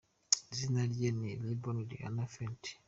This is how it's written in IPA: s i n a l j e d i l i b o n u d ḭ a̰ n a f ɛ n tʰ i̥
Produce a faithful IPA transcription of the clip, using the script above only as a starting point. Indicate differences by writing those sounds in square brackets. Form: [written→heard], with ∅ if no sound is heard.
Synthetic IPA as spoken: [s→z] i n a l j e [d→n] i l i b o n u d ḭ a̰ n a f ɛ n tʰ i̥